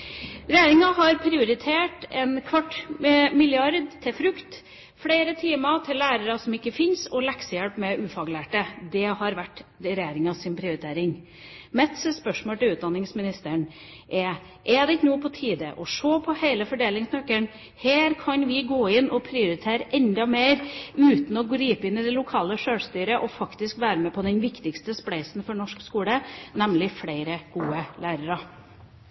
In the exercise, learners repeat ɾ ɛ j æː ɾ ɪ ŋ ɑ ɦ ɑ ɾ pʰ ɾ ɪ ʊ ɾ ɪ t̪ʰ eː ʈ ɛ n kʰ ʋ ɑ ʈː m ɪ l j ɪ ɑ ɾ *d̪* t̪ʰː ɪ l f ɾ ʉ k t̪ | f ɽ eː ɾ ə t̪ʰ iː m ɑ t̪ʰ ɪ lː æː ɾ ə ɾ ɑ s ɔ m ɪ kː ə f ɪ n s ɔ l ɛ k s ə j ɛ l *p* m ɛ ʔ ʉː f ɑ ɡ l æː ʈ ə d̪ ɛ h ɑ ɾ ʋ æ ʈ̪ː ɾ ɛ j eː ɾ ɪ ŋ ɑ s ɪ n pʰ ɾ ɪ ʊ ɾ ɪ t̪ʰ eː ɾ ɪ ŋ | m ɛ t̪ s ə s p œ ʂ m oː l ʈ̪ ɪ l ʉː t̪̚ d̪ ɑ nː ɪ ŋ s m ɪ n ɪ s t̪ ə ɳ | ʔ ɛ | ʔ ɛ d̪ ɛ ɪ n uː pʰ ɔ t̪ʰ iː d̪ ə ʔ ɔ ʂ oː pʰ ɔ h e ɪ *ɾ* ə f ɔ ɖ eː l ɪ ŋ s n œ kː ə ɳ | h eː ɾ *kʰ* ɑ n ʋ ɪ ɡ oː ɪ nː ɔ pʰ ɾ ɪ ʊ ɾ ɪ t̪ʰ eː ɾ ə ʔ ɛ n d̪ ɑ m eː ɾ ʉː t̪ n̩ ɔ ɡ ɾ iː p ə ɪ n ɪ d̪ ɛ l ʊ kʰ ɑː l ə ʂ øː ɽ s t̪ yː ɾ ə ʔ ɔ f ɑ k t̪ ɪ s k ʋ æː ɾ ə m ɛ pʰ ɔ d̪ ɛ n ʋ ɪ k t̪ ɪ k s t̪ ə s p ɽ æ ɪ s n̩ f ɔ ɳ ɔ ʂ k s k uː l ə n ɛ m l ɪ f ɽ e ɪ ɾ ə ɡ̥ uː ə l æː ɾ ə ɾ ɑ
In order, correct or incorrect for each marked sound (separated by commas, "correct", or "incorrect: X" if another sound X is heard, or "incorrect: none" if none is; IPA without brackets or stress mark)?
correct, correct, incorrect: l, correct